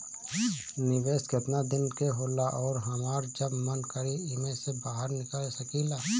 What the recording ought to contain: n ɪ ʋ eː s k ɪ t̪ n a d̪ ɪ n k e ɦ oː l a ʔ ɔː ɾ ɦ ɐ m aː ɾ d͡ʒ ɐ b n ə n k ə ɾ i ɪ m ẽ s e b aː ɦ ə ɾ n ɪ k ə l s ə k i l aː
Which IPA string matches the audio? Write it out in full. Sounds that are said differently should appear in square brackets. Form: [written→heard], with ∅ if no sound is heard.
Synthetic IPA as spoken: n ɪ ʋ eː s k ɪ t̪ n a d̪ ɪ n k e ɦ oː l a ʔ ɔː ɾ ɦ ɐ m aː ɾ d͡ʒ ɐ b [n→m] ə n k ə ɾ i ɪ m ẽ s e b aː ɦ ə ɾ n ɪ k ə l s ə k i l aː